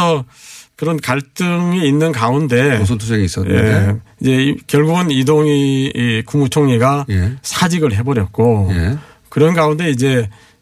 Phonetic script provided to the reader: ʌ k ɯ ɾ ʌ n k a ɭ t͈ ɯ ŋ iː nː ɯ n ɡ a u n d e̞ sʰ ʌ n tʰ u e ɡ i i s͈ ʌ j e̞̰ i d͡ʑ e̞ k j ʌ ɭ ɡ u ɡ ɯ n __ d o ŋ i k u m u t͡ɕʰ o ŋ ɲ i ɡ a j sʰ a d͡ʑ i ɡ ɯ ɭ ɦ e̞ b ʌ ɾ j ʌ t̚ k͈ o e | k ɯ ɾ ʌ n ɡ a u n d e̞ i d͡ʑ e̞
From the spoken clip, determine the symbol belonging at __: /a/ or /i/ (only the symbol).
i